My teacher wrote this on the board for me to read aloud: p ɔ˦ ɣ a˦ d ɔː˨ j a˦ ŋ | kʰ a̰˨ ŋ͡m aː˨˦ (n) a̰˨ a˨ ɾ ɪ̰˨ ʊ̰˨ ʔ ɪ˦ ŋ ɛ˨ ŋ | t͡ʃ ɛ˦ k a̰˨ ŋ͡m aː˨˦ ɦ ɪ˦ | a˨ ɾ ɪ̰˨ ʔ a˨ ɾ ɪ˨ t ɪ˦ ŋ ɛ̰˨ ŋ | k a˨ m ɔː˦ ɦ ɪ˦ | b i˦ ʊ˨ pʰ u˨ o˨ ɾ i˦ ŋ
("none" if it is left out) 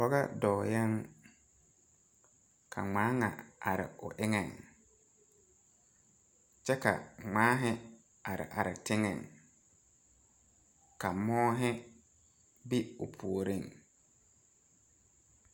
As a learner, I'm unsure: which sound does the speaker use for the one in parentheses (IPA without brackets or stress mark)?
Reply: ŋ